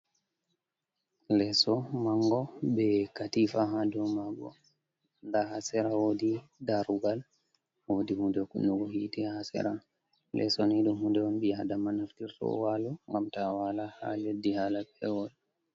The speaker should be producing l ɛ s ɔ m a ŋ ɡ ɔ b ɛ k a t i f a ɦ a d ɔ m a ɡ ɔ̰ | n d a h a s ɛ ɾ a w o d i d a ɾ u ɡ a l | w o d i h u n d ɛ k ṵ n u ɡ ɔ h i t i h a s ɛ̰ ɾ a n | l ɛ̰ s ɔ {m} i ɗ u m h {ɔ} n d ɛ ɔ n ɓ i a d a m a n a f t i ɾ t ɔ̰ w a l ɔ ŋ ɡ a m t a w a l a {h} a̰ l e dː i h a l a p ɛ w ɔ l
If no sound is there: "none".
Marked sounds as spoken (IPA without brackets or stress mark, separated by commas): n, u, h